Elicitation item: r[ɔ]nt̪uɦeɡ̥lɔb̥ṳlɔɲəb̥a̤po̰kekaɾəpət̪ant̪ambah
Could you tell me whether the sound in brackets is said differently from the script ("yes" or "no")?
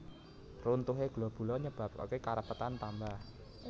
yes